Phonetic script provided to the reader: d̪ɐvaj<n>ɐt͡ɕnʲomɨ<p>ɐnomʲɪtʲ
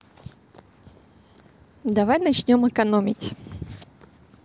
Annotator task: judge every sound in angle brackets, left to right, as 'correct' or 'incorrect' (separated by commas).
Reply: correct, incorrect